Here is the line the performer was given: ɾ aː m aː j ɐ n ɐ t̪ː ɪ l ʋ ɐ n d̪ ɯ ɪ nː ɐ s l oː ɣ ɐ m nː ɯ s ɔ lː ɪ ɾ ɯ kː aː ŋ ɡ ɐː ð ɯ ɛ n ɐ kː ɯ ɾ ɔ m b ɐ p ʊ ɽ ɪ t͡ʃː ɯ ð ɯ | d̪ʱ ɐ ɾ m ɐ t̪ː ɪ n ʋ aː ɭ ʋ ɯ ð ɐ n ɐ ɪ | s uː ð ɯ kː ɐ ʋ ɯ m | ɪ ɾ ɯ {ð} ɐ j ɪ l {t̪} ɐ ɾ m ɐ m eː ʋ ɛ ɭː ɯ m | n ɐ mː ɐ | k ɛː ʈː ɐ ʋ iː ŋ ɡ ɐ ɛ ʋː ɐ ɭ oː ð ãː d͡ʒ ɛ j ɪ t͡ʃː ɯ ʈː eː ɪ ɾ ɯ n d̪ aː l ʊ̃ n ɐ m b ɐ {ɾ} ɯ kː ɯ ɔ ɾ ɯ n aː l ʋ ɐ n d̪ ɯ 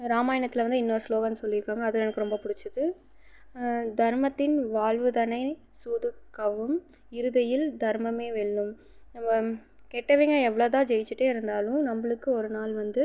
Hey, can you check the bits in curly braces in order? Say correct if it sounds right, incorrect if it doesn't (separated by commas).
correct, incorrect, incorrect